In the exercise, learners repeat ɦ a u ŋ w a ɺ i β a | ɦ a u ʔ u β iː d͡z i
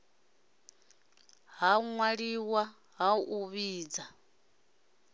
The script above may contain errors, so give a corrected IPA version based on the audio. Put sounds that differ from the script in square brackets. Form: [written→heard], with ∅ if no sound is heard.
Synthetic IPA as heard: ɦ a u ŋ w a ɺ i [β→w] a | ɦ a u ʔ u β iː d͡z [i→a]